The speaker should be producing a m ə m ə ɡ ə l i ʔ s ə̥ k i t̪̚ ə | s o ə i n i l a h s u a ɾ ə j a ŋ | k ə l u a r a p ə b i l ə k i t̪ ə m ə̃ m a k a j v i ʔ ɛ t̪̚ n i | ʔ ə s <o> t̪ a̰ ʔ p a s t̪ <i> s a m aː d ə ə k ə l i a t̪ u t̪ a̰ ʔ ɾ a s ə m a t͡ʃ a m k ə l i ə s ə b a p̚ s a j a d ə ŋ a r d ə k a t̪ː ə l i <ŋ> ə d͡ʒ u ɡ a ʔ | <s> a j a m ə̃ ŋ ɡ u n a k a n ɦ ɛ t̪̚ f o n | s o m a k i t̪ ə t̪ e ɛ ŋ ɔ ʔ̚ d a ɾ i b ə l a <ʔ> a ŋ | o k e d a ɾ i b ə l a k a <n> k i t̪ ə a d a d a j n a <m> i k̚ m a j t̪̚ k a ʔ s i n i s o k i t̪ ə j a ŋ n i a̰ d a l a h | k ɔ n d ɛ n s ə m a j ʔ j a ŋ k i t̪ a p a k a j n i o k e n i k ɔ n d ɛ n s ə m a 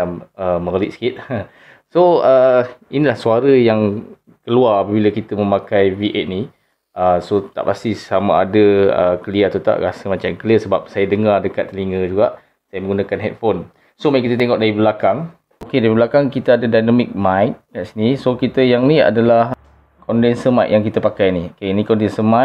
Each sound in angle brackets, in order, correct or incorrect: correct, correct, correct, correct, incorrect, incorrect, correct

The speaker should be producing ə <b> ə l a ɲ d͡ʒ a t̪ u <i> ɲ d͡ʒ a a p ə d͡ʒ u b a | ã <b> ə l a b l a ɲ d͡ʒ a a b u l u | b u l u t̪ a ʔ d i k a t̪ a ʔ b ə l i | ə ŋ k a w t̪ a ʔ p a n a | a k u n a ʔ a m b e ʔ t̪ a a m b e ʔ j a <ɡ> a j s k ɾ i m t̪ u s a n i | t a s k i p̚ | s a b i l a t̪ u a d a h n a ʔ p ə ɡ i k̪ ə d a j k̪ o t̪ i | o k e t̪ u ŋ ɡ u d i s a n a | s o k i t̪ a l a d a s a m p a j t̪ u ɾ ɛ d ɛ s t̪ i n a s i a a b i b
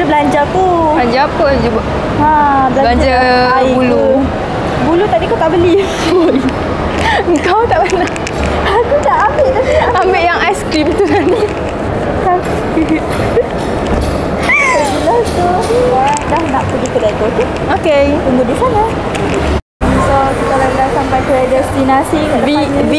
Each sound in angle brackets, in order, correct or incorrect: correct, incorrect, correct, incorrect

